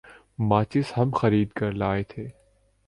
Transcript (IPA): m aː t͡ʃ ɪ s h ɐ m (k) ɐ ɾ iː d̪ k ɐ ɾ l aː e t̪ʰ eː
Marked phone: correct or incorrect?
incorrect